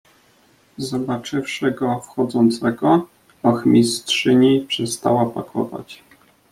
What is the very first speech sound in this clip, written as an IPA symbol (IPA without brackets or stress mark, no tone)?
z